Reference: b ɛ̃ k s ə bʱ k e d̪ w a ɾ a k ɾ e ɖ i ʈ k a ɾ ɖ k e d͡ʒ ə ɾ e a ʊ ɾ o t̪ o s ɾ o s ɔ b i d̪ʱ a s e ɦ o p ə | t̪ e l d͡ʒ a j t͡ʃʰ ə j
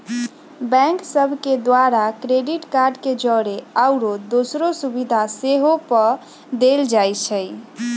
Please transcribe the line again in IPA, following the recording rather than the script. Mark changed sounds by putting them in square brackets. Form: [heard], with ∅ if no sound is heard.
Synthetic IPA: b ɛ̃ k s ə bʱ k e d̪ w a ɾ a k ɾ e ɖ i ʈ k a ɾ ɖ k e d͡ʒ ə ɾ e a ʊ ɾ o [d̪] o s ɾ o s [u] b i d̪ʱ a s e ɦ o p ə | [d̪] e l d͡ʒ a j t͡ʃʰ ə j